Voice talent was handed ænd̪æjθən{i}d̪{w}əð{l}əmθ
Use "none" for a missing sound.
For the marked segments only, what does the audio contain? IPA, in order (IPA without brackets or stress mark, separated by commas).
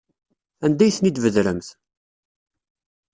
i, v, ɾ